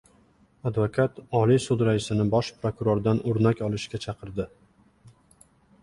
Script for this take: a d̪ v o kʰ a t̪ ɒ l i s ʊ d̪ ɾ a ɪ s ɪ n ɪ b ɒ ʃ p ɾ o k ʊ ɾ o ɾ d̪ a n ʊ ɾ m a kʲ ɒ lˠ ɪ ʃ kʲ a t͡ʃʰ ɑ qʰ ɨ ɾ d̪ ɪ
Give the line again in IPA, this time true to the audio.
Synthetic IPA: a d̪ v o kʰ a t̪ ɒ l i s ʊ d̪ ɾ a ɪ s ɪ n ɪ b ɒ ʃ p ɾ o k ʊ ɾ o ɾ d̪ a n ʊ ɾ n a kʲ ɒ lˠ ɪ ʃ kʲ a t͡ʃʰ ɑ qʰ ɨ ɾ d̪ ɪ